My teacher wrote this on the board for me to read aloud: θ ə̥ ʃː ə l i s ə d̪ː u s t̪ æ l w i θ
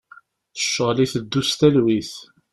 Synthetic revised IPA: θ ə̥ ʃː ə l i θ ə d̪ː u s t̪ æ l w i θ